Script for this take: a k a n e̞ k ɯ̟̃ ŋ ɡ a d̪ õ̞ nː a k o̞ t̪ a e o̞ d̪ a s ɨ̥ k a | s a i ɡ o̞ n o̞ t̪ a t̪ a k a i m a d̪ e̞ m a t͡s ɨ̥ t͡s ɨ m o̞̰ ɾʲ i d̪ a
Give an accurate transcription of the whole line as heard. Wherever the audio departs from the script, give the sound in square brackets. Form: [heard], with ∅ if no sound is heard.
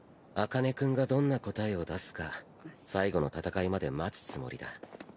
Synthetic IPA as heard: a k a n e̞ k ɯ̟̃ ŋ ɡ a d̪ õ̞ nː a k o̞ t̪ a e o̞ d̪ a s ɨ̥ k a | s a i ɡ o̞ n o̞ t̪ a t̪ a k a i m a d̪ e̞ m a t͡s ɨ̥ t͡s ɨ m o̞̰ ɾʲ i d̪ a

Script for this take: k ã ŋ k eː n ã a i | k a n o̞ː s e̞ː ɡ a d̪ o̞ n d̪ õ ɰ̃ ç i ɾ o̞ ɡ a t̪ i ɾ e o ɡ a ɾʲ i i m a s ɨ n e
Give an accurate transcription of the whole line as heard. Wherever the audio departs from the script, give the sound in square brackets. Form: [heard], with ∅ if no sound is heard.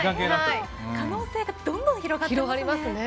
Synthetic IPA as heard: k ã ŋ k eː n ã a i | k a n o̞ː s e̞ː ɡ a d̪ [õ̞] n d̪ õ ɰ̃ ç i ɾ o̞ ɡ a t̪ i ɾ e o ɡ a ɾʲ i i m a s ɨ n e

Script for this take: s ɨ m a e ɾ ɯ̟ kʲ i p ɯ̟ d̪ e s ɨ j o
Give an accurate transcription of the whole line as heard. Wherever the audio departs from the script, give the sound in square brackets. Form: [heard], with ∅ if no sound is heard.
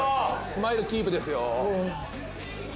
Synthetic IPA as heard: s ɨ m a [i] ɾ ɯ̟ kʲ [iː] p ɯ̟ d̪ e s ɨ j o

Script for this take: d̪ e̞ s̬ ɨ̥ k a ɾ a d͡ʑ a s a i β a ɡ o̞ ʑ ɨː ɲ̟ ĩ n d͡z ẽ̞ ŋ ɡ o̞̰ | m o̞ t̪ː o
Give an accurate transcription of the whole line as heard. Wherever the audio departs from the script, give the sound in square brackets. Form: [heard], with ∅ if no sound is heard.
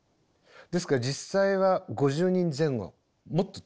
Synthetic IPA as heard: d̪ e̞ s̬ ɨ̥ k a ɾ a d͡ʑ [i] s a i β a ɡ o̞ ʑ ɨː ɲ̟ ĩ n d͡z ẽ̞ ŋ ɡ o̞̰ | m o̞ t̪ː o

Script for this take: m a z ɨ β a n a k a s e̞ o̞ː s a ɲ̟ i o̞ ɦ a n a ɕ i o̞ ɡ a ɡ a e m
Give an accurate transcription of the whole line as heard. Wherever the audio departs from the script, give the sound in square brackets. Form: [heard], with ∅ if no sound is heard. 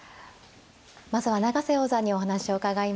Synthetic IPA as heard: m a z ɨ β a n a [ɡ] a s e̞ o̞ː [z] a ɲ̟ i o̞ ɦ a n a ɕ i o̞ [k] a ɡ a [i] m

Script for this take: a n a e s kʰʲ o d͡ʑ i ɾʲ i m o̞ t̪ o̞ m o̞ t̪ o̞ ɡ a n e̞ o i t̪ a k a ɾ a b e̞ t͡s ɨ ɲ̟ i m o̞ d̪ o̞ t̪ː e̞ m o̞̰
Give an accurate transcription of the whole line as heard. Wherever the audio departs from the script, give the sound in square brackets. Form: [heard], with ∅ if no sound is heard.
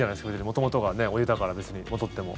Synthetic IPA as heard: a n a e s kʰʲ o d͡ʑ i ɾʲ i m o̞ t̪ o̞ m o̞ t̪ o̞ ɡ a n e̞ o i t̪ a k a ɾ a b e̞ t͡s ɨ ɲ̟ i m o̞ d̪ o̞ t̪ː e̞ m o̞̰

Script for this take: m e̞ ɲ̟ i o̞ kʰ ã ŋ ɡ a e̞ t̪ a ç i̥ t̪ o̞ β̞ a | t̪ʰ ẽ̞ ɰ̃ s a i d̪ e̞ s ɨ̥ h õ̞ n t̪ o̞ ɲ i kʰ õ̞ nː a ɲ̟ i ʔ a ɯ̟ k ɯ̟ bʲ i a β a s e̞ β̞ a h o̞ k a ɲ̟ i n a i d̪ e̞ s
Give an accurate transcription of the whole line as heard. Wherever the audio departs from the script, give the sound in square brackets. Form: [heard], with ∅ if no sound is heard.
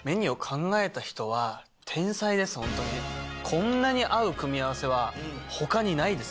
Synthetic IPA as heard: m e̞ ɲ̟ i o̞ kʰ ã ŋ ɡ a e̞ t̪ a ç i̥ t̪ o̞ β̞ a | t̪ʰ ẽ̞ ɰ̃ s a i d̪ e̞ s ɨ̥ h õ̞ n t̪ o̞ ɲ i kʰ õ̞ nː a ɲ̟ i ʔ a ɯ̟ k ɯ̟ [mʲ] i a β a s e̞ β̞ a h o̞ k a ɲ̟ i n a i d̪ e̞ s

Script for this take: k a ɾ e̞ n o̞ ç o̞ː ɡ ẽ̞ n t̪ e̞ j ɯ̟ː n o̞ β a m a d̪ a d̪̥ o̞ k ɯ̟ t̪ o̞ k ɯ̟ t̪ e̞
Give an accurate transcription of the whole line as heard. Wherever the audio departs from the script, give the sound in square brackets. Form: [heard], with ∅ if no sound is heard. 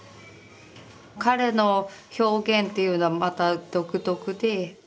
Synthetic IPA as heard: k a ɾ e̞ n o̞ ç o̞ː ɡ ẽ̞ n t̪ e̞ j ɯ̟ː n o̞ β a m a [t̪] a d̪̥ o̞ k ɯ̟ t̪ o̞ k ɯ̟ [d̪] e̞

